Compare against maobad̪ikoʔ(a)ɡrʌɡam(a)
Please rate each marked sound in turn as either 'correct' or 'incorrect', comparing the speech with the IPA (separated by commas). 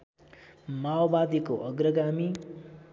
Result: incorrect, incorrect